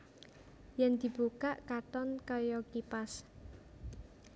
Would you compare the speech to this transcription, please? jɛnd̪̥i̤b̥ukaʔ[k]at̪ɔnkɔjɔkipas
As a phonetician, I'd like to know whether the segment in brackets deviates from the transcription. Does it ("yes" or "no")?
no